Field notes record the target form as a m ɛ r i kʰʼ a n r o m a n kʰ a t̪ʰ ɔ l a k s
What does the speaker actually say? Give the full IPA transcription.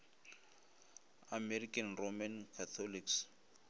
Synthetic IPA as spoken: a m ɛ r i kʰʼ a n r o m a n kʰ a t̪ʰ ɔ l i k s

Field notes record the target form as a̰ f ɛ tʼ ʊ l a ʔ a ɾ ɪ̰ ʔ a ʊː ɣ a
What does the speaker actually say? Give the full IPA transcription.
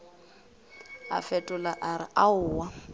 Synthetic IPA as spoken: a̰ f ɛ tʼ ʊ l a ʔ a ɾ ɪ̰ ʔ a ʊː w a

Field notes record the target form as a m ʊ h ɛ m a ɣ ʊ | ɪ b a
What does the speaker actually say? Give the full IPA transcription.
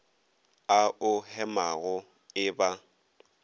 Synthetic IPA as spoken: a ʊ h ɛ m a ɣ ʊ | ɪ b a

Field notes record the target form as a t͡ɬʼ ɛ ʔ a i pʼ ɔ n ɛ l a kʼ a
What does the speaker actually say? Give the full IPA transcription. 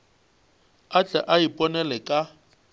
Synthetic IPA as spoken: a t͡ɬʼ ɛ ʔ a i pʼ ɔ n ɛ l ɛ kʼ a

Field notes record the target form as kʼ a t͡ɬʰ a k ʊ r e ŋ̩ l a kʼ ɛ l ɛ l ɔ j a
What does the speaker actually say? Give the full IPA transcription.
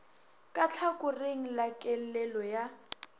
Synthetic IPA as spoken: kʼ a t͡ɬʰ a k ʊ r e ŋ̩ l a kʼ ɛ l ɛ l ɔ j a

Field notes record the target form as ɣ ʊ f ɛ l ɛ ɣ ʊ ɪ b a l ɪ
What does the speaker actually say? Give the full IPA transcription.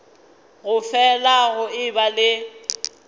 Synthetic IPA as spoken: ɣ ʊ f ɛ l a ɣ ʊ ɪ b a l ɪ

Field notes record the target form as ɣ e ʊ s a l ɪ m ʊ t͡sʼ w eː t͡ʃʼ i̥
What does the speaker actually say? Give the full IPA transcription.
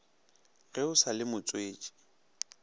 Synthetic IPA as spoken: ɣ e ʊ s a l ɪ m ʊ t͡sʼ w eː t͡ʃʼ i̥

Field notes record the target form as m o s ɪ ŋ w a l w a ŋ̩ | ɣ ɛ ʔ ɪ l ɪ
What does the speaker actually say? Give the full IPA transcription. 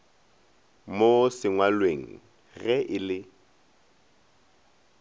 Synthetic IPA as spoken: m o s ɪ ŋ w a l w e ŋ̩ | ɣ ɛ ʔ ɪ l ɪ

